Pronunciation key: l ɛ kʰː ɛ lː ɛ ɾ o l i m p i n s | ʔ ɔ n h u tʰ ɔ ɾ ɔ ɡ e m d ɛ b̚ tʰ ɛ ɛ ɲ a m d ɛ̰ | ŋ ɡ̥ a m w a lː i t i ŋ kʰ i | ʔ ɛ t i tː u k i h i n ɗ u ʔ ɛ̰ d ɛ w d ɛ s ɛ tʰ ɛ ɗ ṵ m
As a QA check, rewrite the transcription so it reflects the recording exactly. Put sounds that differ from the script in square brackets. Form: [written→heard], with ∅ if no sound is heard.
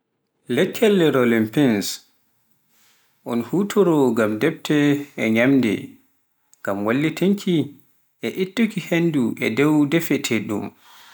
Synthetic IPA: l ɛ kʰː ɛ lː ɛ ɾ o l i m p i n s | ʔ ɔ n h u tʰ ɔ ɾ ɔ ɡ [e→a] m d ɛ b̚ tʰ ɛ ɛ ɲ a m d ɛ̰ | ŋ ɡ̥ a m w a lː i t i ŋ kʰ i | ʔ ɛ [t→ʔ] i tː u k i h [i→e] n [ɗ→d] u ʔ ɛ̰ d ɛ w d ɛ [s→f] ɛ tʰ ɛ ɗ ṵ m